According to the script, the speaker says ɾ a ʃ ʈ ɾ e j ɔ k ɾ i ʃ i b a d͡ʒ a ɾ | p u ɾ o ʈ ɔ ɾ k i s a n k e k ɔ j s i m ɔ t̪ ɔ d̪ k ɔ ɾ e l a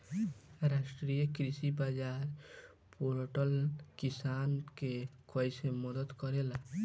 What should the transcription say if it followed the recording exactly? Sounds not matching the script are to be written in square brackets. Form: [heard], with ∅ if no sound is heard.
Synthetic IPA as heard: ɾ a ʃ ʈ ɾ [i] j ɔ k ɾ i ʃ i b a d͡ʒ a ɾ | p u ɾ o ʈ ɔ [l] k i s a n k e k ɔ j s [e] m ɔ [d̪] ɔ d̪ k ɔ ɾ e l a

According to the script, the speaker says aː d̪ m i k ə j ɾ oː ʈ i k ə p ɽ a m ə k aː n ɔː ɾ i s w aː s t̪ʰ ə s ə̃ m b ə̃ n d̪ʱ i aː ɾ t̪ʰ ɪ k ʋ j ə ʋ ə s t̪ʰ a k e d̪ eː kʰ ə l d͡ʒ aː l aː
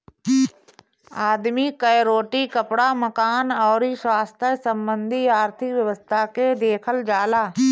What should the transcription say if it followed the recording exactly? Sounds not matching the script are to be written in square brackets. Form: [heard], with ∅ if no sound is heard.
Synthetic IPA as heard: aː d̪ m i k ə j ɾ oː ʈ i k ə p ɽ a m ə k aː n ɔː ɾ i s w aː s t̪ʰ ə s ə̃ m b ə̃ n d̪ʱ i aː ɾ t̪ʰ ɪ k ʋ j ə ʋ ə s t̪ʰ a k e d̪ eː kʰ ə l d͡ʒ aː l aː

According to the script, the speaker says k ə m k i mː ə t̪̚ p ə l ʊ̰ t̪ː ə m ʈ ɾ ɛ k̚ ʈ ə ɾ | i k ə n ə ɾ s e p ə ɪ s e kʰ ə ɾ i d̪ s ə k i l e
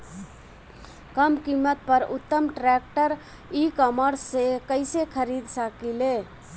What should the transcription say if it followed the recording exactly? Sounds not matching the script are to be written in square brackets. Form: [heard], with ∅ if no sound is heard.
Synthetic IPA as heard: k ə m k i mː ə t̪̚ p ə [ɾ] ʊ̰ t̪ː ə m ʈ ɾ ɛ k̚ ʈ ə ɾ | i k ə [m] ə ɾ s e [k] ə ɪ s e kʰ ə ɾ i d̪ s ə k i l e

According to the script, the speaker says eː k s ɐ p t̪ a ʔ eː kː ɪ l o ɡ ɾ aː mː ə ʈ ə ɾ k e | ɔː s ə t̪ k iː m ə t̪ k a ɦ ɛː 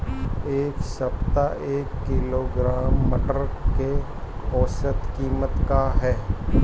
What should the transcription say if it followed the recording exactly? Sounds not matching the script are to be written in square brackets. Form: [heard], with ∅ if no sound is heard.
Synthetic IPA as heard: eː k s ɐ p t̪ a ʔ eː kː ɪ l o ɡ ɾ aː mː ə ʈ ə ɾ k e | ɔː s ə t̪ k iː m ə t̪ k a ɦ ɛː

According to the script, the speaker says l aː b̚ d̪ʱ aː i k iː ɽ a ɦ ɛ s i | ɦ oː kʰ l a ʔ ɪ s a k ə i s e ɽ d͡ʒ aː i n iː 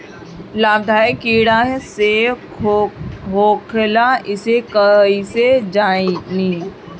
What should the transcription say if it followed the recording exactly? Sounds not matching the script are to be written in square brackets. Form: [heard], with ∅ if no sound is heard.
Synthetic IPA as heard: l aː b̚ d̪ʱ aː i k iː ɽ a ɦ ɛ s [e] | ɦ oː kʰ l a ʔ ɪ s [e] k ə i s e [∅] d͡ʒ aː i n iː

